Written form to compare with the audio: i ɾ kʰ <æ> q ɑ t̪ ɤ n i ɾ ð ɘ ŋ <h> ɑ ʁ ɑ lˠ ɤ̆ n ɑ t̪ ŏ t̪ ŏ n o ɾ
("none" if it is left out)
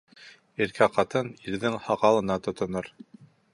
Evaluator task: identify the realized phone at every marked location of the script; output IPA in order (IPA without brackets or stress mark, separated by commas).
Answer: æ, h